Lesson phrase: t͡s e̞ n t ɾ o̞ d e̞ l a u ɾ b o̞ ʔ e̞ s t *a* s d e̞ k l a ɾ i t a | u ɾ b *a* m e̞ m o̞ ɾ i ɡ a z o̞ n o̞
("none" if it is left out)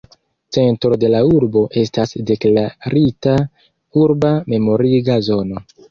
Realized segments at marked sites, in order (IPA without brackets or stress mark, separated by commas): a, a